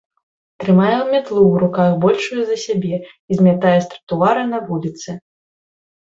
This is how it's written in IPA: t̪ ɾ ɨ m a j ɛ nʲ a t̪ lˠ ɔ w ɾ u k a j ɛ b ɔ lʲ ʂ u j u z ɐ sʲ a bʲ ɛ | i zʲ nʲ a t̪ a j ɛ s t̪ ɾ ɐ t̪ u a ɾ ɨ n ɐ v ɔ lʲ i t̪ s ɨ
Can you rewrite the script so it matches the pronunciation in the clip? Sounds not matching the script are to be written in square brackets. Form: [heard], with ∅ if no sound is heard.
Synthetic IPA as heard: t̪ ɾ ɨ m a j ɛ [mʲ] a t̪ lˠ [u] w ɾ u k a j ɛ b ɔ lʲ ʂ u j u z ɐ sʲ a bʲ ɛ | i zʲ [mʲ] a t̪ a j ɛ s t̪ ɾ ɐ t̪ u a ɾ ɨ n ɐ v [u] lʲ i t̪ s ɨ

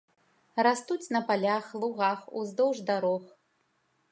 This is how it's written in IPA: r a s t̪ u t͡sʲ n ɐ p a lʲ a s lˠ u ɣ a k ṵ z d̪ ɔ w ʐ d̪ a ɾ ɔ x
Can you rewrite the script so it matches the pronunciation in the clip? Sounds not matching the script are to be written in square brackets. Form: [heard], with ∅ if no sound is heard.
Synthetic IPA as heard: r a s t̪ u t͡sʲ n ɐ p a lʲ a [x] lˠ u ɣ a [x] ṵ z d̪ ɔ w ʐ d̪ a ɾ ɔ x

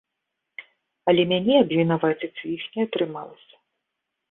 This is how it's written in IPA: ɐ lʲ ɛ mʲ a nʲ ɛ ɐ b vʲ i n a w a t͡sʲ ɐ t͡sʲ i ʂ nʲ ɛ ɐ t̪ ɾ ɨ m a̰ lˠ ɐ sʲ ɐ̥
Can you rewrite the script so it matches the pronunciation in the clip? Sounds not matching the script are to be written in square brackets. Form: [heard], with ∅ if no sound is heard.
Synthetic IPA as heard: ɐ lʲ ɛ mʲ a nʲ ɛ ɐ b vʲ i n a [v] a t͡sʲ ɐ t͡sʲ i [x] nʲ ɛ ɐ t̪ ɾ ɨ m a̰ lˠ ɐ sʲ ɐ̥

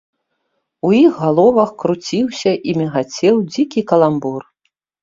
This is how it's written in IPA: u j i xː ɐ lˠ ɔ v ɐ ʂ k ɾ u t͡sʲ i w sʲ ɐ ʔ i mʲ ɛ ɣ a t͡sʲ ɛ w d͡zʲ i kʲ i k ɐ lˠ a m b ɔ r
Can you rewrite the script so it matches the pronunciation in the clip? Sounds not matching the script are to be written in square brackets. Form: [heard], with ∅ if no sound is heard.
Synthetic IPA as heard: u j i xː [a] lˠ ɔ v ɐ [x] k ɾ u t͡sʲ i w sʲ ɐ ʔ i mʲ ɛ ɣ a t͡sʲ ɛ w d͡zʲ i kʲ i k ɐ lˠ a m b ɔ r

